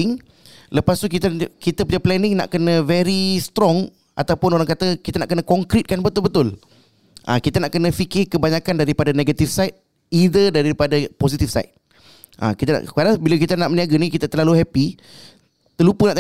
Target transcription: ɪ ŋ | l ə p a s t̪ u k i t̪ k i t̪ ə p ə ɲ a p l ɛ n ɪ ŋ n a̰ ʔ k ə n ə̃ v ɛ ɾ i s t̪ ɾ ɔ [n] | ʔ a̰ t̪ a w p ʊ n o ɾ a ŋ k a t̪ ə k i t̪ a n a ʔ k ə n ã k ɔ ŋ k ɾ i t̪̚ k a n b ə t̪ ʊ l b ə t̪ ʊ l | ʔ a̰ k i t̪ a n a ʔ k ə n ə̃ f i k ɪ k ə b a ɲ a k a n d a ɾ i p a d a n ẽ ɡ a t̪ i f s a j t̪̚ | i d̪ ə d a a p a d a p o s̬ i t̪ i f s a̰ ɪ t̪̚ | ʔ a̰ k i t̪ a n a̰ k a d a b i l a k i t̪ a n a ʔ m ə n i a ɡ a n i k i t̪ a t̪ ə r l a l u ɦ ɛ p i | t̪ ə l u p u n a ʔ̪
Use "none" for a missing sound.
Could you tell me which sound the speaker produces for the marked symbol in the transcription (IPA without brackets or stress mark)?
ŋ